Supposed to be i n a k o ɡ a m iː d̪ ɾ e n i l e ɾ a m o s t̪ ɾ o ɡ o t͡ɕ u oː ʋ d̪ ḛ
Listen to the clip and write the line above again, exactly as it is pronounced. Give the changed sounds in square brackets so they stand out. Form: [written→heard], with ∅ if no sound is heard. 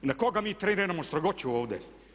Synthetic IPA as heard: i n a k o ɡ a m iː [d̪→t̪] ɾ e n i [l→ɾ] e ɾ a m o s t̪ ɾ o ɡ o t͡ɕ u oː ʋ d̪ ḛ